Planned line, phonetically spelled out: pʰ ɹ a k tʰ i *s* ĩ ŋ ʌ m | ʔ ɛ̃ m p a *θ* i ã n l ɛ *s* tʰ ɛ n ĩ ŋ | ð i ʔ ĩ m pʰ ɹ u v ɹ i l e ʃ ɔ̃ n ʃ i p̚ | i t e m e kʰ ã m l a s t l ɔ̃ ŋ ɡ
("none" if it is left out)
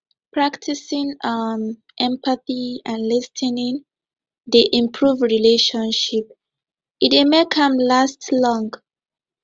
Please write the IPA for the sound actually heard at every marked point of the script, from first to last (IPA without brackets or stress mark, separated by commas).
s, θ, s